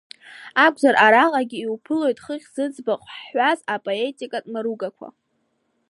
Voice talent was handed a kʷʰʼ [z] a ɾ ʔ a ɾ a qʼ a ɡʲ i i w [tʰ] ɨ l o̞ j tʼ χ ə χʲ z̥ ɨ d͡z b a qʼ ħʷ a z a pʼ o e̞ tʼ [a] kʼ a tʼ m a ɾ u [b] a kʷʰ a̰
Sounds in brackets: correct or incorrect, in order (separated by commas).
correct, incorrect, incorrect, incorrect